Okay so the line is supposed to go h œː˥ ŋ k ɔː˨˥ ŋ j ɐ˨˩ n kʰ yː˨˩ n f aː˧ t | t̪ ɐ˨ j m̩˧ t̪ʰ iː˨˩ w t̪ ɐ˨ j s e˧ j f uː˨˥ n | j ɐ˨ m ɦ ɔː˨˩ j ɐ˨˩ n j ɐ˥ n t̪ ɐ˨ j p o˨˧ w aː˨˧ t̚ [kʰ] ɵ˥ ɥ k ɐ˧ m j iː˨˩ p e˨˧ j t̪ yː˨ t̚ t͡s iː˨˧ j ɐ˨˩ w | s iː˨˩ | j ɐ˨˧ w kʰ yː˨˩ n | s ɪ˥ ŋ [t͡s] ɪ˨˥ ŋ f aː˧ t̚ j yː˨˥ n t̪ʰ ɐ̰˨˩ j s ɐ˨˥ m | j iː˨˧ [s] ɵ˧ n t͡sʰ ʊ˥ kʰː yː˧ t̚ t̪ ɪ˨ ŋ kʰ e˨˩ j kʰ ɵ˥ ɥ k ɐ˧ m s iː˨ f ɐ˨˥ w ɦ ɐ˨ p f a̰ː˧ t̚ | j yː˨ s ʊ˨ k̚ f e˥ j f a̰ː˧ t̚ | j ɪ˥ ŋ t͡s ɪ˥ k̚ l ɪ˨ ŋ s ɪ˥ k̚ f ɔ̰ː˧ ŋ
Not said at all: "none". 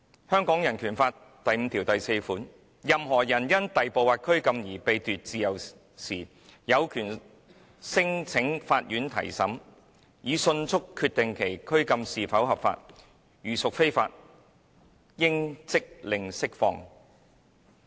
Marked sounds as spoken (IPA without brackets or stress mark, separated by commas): kʰ, t͡sʰ, s